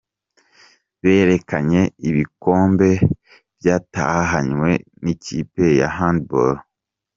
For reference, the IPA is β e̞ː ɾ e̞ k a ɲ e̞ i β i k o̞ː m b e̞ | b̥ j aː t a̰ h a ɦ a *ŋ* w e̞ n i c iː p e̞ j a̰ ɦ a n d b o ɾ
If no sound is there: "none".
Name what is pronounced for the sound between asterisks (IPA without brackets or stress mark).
ɲ